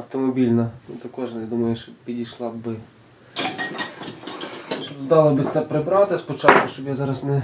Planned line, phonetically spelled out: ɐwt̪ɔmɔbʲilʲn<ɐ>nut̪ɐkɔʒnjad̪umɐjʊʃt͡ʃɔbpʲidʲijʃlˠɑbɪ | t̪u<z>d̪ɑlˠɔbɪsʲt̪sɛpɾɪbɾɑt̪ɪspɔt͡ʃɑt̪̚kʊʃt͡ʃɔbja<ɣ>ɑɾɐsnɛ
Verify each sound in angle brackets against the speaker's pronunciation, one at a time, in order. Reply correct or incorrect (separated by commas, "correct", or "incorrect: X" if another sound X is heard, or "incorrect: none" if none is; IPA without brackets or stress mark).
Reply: correct, correct, incorrect: z